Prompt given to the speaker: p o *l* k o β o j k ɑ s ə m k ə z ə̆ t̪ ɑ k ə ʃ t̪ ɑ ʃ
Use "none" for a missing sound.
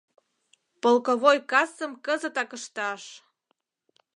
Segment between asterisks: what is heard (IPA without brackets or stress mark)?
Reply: l